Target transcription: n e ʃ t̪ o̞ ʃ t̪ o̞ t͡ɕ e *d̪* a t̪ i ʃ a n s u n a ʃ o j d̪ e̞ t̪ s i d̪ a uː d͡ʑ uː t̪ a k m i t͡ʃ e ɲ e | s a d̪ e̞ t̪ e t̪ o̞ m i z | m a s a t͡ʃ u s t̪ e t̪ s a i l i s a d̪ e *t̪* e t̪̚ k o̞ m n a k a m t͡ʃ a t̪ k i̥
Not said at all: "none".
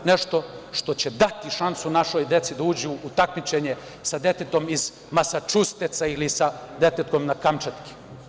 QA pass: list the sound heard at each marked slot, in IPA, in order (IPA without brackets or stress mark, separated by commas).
d̪, t̪